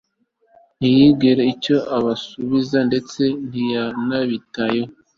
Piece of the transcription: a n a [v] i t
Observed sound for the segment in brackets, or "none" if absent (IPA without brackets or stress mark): β